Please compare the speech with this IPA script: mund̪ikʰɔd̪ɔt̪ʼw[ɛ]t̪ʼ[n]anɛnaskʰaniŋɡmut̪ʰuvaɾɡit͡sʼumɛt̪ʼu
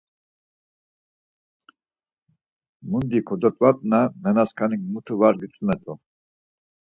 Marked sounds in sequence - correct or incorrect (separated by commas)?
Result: incorrect, correct